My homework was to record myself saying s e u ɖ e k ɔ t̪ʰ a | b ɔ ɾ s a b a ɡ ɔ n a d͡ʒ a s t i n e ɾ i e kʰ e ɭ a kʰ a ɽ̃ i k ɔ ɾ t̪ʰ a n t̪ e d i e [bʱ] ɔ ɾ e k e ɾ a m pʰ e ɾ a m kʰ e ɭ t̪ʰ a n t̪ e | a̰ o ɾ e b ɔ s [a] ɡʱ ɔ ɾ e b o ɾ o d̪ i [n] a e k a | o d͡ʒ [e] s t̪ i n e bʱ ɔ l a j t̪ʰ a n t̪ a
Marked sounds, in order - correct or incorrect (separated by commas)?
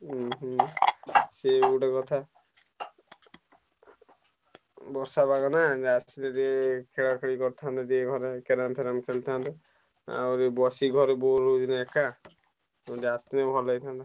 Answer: incorrect, incorrect, correct, incorrect